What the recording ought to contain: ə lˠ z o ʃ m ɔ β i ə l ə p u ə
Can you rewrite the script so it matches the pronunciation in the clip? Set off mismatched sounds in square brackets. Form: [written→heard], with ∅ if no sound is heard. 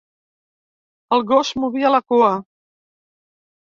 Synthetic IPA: ə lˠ [z→ɣ] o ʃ m [ɔ→u] β i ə l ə [p→k] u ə

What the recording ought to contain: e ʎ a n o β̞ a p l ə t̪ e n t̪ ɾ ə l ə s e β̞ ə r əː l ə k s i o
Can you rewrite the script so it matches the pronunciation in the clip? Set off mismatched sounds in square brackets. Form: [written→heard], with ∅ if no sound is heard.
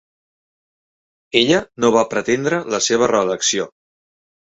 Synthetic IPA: e ʎ [a→ə] n o β̞ a p [l→ɾ] ə t̪ e n [t̪→d̪] ɾ ə l ə s e β̞ ə r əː l ə k s i o

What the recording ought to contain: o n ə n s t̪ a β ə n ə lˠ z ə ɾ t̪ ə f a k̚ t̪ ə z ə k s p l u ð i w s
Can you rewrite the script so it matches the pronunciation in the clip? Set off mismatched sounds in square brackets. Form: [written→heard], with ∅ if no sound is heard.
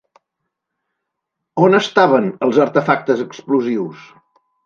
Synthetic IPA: o n ə [n→∅] s t̪ a β ə n ə lˠ z ə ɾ t̪ ə f a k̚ t̪ ə z ə k s p l u [ð→z] i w s

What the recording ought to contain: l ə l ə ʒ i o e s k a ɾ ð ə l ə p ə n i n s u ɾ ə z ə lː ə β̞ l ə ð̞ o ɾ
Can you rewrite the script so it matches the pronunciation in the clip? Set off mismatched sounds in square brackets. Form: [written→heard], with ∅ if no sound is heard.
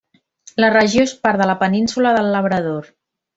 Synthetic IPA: l ə [l→r] ə ʒ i o e s [k→p] a ɾ ð ə l ə p ə n i n s u [ɾ→l] ə [z→ð] ə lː ə β̞ [l→ɾ] ə ð̞ o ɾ

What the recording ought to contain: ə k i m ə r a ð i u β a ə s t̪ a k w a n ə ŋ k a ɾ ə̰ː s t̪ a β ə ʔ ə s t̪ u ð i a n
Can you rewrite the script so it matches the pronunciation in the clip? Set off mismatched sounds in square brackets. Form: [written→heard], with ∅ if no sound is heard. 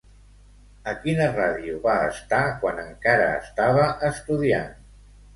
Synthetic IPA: ə k i [m→n] ə r a ð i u β a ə s t̪ a k w a n ə ŋ k a ɾ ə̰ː s t̪ a β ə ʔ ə s t̪ u ð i a n

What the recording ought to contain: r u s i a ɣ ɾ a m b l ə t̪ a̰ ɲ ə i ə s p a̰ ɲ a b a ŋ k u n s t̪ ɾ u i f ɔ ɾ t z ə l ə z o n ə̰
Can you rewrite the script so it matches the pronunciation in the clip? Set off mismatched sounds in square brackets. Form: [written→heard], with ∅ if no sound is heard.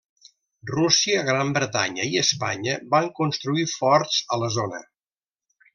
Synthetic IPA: r u s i [a→ə] ɣ ɾ a m b [l→ɾ] ə t̪ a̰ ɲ ə i ə s p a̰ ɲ [a→ə] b a ŋ k u n s t̪ ɾ u i f ɔ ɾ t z ə l ə z o n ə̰

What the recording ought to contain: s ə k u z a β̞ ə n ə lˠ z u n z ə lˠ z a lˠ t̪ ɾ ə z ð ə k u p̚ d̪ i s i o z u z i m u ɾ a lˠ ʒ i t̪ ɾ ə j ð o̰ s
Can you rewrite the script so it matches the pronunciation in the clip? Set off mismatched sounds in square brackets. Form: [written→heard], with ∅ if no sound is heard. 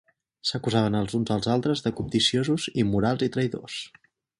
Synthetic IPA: s ə k u z a β̞ ə n ə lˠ z u n z ə lˠ z a lˠ t̪ ɾ ə z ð ə k u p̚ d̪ i s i o z u z i m u ɾ a lˠ [ʒ→z] i t̪ ɾ ə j ð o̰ s

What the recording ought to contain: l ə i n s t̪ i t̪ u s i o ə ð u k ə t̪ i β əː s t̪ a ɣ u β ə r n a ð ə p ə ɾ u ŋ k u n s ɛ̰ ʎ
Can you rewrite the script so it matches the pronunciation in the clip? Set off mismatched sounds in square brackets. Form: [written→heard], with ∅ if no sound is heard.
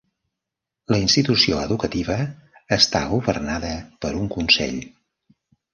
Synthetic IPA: l ə i n s t̪ i t̪ u s i o ə ð u k ə t̪ i β əː s t̪ a ɣ u β ə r n a ð ə p ə ɾ u ŋ k u n s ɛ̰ ʎ

